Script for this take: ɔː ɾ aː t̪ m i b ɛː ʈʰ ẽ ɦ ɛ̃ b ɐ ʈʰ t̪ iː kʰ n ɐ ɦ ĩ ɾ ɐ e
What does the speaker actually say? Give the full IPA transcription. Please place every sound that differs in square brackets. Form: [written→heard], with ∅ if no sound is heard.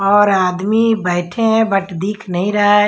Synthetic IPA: ɔː ɾ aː [t̪→d̪] m i b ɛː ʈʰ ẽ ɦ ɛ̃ b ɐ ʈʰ [t̪→d̪] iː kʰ n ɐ ɦ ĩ ɾ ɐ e